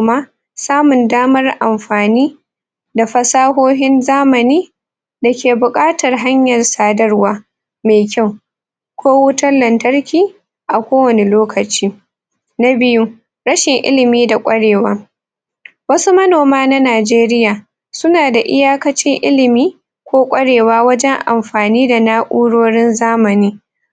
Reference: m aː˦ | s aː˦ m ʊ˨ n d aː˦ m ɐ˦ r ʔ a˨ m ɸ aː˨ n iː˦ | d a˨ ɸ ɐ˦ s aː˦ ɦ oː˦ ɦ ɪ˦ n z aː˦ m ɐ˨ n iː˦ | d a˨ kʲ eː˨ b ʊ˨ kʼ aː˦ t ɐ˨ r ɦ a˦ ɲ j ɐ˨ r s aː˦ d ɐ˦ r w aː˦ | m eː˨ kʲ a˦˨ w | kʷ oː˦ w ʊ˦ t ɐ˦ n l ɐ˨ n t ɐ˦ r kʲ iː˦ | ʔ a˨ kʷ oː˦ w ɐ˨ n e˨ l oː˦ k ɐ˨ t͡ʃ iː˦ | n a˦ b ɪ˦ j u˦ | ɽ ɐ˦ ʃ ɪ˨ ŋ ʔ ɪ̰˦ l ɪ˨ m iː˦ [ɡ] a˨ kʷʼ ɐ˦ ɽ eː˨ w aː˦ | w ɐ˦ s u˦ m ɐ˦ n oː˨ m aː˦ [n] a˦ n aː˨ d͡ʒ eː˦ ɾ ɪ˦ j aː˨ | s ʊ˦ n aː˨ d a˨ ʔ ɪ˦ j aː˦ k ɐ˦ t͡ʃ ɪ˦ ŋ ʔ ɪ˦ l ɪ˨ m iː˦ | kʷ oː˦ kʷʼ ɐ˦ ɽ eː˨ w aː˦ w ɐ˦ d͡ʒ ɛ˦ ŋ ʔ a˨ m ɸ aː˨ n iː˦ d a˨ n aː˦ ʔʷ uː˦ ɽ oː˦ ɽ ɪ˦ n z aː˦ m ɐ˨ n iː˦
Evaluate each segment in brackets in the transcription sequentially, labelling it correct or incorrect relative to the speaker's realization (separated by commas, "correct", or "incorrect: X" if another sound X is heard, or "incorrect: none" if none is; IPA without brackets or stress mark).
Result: incorrect: d, correct